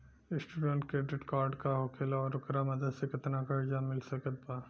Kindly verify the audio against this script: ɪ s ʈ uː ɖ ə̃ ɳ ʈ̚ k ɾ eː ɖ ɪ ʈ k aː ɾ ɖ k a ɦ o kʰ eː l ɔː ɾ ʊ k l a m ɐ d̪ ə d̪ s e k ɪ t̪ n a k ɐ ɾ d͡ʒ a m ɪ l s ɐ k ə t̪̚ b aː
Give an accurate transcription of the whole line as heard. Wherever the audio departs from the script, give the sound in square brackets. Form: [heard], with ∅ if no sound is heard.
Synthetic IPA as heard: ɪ s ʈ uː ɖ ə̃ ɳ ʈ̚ k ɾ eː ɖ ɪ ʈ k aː ɾ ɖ k a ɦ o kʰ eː l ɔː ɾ ʊ k [ɾ] a m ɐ d̪ ə d̪ s e k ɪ t̪ n a k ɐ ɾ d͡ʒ a m ɪ l s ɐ k ə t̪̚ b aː